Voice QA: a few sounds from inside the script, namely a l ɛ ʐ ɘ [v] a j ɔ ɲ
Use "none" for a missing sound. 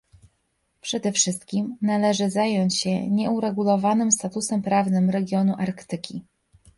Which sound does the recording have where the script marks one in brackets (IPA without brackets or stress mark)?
z